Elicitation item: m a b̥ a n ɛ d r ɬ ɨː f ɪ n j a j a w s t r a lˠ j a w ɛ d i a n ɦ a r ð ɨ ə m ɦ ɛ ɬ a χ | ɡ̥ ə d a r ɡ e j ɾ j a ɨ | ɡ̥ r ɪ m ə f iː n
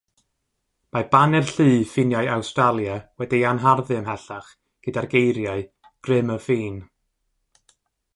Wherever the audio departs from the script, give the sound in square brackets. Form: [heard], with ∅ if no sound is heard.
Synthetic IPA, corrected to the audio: m a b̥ a n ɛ [∅] r ɬ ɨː f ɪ n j a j a w s t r a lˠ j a w ɛ d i a n ɦ a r ð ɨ ə m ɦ ɛ ɬ a χ | ɡ̥ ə d a r ɡ e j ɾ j a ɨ | ɡ̥ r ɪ m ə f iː n

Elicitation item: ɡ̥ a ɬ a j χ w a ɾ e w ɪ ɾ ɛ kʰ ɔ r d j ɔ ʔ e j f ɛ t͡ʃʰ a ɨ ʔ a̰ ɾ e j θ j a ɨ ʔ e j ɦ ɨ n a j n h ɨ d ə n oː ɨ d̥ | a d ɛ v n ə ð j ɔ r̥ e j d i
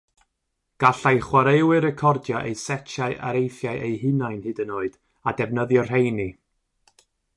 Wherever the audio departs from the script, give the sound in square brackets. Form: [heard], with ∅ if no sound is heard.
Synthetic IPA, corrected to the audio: ɡ̥ a ɬ a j χ w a ɾ e w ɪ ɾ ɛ kʰ ɔ r d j ɔ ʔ e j [s] ɛ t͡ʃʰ a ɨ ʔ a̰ ɾ e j θ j a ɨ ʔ e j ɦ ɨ n a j n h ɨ d ə n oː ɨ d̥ | a d ɛ v n ə ð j ɔ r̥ e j [n] i

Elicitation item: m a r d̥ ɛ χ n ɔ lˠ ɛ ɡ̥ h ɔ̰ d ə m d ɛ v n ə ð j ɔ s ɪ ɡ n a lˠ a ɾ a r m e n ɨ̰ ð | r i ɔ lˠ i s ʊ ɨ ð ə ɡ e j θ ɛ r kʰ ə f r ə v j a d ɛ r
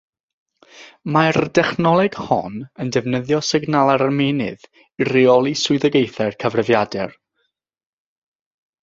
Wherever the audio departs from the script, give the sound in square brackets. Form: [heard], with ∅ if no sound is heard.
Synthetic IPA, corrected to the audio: m a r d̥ ɛ χ n ɔ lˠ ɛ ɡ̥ h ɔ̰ [n] ə [n] d ɛ v n ə ð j ɔ s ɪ ɡ n a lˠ a ɾ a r m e n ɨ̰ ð | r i ɔ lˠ i s ʊ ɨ ð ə ɡ e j θ ɛ r kʰ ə [v] r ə v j a d ɛ r

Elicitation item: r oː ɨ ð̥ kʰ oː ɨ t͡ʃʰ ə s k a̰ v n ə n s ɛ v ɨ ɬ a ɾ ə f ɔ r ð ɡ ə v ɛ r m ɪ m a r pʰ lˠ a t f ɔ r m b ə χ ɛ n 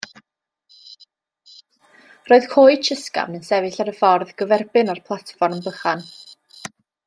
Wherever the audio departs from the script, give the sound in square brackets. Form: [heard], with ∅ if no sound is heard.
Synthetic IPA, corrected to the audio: r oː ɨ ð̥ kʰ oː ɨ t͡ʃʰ ə s k a̰ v n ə n s ɛ v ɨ ɬ a ɾ ə f ɔ r ð ɡ ə v ɛ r [b] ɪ [n] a r pʰ lˠ a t f ɔ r m b ə χ [a] n

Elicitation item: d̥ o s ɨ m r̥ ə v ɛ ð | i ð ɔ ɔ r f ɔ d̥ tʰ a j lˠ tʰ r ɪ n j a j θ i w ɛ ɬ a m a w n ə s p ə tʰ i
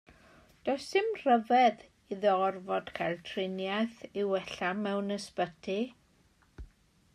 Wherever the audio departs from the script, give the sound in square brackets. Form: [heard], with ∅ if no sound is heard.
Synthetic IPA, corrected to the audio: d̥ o s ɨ m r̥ ə v ɛ ð | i ð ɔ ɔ r [v] ɔ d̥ [kʰ] a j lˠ tʰ r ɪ n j a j θ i w ɛ ɬ a m [ɛ] w n ə s p ə tʰ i

